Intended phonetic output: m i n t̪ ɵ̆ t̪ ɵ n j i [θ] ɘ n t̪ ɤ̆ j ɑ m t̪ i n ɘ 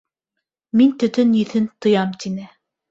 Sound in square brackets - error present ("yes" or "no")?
no